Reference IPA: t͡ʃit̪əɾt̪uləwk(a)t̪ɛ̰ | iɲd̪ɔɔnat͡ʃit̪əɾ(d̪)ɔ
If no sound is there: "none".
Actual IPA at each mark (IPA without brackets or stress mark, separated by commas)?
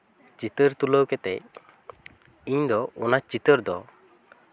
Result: ɛ, d̪